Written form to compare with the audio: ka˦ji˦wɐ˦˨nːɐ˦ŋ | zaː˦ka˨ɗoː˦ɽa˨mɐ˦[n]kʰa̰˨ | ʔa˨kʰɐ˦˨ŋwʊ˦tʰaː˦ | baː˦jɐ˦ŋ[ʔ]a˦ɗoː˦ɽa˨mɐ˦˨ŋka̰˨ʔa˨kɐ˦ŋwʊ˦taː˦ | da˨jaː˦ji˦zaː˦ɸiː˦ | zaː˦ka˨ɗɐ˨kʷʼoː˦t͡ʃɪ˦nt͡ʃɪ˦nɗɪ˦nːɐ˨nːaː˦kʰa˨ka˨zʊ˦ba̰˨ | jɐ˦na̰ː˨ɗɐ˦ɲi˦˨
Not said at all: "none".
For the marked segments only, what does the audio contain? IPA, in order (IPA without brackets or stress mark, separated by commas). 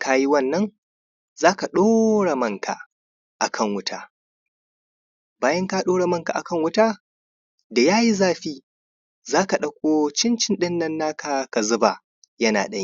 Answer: ŋ, k